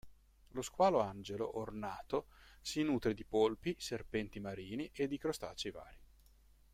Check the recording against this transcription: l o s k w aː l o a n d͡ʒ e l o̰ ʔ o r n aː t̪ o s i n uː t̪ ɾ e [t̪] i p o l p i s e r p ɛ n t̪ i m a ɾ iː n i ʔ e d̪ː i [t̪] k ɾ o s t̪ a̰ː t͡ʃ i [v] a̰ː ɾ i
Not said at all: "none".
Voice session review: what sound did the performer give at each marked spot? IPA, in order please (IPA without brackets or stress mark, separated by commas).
d̪, none, v